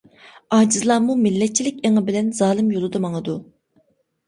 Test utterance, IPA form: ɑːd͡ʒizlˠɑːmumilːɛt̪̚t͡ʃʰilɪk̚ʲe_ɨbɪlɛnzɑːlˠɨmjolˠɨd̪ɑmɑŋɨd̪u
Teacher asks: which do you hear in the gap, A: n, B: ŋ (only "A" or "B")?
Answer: B